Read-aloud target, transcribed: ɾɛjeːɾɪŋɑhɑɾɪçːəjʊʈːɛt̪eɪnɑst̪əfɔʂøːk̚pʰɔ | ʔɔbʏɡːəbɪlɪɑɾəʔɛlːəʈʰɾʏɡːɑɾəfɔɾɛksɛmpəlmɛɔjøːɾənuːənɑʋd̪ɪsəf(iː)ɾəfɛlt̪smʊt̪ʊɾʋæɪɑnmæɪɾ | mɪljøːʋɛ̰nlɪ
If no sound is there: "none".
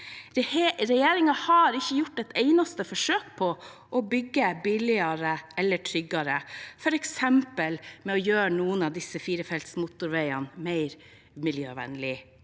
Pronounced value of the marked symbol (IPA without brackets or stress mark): iː